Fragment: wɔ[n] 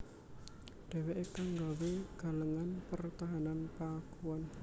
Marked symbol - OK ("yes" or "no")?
yes